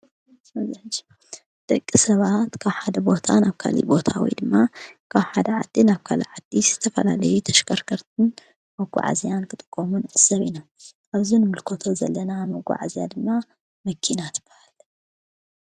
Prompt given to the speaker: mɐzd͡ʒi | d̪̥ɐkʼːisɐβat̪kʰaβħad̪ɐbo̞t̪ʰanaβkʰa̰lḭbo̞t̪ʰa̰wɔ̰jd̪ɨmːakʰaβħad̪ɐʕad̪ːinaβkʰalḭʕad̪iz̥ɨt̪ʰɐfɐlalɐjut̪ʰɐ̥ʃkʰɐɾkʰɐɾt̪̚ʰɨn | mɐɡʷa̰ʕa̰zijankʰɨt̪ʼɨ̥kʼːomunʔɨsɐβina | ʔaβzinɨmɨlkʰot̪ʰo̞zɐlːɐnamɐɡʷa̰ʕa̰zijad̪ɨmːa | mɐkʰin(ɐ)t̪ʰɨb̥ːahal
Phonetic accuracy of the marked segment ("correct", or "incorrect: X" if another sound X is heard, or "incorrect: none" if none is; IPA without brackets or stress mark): incorrect: a